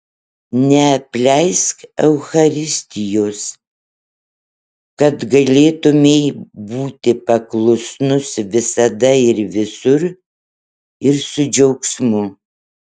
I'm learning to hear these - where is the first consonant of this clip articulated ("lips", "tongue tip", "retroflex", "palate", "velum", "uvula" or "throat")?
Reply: tongue tip